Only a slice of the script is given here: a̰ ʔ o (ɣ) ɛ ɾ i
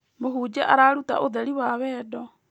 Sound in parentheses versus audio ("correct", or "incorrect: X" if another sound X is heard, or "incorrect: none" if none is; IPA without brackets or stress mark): incorrect: ð